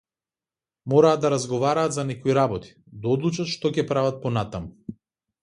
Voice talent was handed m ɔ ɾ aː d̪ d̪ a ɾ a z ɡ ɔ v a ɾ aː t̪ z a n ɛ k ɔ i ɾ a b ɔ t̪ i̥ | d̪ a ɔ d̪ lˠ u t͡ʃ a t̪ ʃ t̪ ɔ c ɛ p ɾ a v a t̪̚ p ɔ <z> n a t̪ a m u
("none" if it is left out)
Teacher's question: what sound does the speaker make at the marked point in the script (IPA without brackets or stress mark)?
none